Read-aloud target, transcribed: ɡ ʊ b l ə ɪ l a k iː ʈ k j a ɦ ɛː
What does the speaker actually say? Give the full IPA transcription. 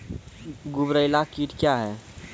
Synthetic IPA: ɡ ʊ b ɾ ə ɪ l a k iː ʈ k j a ɦ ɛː